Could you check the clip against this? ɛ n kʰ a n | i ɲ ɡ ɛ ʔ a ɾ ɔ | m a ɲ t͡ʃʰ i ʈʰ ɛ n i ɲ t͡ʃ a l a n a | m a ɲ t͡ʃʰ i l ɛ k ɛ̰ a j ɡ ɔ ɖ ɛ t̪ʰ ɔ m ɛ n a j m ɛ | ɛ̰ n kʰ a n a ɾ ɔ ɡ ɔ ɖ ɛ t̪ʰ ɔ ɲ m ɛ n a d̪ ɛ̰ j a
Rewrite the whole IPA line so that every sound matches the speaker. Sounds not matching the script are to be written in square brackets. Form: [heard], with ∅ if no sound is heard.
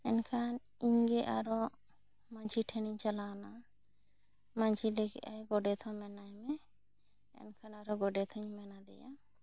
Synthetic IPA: ɛ n kʰ a n | i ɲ ɡ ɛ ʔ a ɾ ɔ | m a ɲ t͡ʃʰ i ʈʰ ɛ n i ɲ t͡ʃ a l a n a | m a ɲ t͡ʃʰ i l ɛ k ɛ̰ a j ɡ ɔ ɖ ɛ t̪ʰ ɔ m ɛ n a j m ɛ | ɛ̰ n kʰ a n a ɾ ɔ ɡ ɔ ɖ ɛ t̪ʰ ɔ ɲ m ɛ n a d̪ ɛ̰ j a